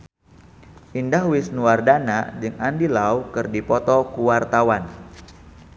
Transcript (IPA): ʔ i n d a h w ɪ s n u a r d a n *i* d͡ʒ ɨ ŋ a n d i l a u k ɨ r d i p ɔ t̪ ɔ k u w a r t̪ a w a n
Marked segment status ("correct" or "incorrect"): incorrect